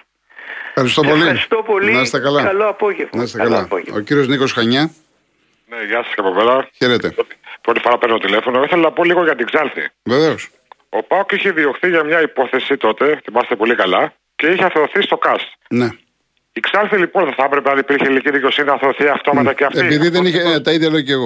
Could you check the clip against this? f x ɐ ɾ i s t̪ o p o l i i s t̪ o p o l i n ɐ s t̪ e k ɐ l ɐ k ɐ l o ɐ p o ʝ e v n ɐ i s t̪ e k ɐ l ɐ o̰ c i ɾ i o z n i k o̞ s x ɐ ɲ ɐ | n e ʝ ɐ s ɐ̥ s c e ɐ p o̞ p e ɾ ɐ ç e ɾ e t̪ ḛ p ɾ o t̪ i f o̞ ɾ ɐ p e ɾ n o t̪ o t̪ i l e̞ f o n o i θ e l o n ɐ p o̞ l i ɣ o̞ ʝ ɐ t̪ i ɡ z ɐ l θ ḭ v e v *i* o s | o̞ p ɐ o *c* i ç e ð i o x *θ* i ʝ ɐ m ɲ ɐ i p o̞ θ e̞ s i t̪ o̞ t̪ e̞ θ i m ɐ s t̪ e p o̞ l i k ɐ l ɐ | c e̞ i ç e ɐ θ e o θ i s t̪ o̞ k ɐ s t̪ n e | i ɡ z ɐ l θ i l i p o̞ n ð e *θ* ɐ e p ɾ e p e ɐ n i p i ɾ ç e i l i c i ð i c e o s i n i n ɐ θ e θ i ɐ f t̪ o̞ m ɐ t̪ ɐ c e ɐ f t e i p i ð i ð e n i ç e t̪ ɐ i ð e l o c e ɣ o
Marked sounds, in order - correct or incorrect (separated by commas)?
incorrect, incorrect, correct, correct